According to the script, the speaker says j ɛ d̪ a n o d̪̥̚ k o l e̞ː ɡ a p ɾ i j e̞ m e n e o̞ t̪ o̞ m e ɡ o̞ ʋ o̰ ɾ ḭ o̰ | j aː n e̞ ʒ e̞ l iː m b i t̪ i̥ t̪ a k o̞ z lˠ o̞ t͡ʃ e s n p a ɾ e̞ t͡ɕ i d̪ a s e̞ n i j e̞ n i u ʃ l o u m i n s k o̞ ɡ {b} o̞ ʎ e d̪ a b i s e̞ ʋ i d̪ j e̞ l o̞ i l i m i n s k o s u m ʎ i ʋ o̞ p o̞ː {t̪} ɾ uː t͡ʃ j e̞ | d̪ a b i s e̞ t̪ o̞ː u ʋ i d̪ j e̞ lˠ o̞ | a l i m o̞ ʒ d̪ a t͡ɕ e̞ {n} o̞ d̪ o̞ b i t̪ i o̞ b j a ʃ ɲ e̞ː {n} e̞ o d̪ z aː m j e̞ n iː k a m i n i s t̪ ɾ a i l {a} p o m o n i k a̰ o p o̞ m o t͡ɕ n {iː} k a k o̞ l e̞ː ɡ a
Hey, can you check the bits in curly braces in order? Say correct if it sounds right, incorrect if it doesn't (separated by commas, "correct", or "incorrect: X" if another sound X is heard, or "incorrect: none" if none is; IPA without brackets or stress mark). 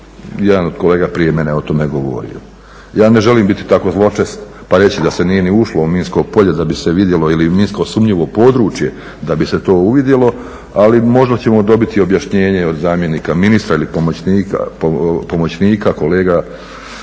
incorrect: p, incorrect: d̪, incorrect: m, incorrect: ɲ, incorrect: i, correct